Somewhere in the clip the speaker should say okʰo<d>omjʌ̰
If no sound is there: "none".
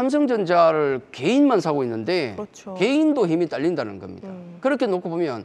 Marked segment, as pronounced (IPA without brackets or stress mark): b